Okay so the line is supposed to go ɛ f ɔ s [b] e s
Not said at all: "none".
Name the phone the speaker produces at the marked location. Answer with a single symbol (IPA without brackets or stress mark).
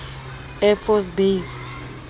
b